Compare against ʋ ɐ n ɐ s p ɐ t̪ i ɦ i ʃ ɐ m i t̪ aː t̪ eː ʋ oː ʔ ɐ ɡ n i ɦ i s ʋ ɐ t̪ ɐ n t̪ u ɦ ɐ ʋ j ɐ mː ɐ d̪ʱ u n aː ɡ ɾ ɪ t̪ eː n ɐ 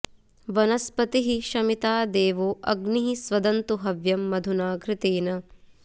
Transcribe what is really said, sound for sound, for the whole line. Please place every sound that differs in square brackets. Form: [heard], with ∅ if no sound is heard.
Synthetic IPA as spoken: ʋ ɐ n ɐ s p ɐ t̪ i ɦ i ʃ ɐ m i t̪ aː [d̪] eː ʋ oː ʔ ɐ ɡ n i ɦ i s ʋ ɐ [d̪] ɐ n t̪ u ɦ ɐ ʋ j ɐ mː ɐ d̪ʱ u n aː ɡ ɾ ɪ t̪ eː n ɐ